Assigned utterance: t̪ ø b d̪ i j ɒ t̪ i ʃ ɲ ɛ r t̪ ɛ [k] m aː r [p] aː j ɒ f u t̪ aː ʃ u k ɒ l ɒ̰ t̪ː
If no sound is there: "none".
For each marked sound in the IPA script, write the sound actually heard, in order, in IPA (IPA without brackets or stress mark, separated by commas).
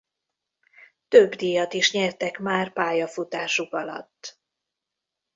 k, p